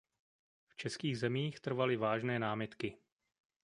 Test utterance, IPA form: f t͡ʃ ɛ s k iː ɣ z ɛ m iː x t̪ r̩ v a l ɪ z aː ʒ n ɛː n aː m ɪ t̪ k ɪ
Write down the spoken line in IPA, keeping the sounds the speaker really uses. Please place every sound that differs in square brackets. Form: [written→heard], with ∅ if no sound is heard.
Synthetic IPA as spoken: f t͡ʃ ɛ s k iː ɣ z ɛ m iː x t̪ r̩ v a l ɪ [z→v] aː ʒ n ɛː n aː m ɪ t̪ k ɪ